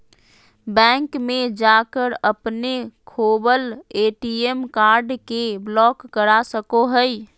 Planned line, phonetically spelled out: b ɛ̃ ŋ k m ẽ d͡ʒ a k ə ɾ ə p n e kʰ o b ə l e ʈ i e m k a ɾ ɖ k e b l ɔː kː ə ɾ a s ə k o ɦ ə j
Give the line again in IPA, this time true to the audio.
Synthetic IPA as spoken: b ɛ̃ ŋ k m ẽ d͡ʒ a k ə ɾ ə p n e kʰ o b ə l e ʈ i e m k a ɾ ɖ k e b l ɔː kː ə ɾ a s ə k o ɦ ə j